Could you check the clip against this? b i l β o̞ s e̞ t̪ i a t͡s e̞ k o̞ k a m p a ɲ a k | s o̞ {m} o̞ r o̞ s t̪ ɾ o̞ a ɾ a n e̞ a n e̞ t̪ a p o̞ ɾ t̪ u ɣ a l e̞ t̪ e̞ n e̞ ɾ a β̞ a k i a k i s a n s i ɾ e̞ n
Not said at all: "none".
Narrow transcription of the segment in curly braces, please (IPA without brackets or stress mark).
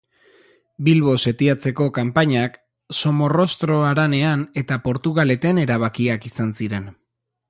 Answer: m